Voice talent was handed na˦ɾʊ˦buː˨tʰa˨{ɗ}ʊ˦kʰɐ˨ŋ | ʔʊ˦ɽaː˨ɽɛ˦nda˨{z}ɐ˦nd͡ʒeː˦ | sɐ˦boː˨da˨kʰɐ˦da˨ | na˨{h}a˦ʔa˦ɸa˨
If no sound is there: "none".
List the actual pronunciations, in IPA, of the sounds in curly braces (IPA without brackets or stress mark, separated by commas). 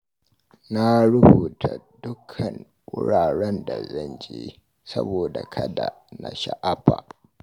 d, z, ʃ